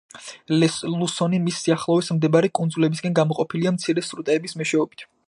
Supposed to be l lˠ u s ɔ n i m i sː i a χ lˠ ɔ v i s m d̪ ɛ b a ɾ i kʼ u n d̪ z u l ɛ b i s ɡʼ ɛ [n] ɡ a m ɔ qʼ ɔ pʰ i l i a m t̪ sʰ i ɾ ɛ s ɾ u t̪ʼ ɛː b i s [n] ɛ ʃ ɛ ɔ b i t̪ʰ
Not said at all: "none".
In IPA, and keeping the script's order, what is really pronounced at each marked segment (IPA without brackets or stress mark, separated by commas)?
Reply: n, m